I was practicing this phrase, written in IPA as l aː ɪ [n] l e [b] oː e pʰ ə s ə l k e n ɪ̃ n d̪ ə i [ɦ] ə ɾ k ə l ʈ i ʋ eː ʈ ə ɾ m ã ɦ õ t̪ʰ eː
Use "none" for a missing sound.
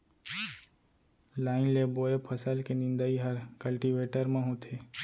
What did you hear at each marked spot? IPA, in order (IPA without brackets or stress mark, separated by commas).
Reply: n, b, ɦ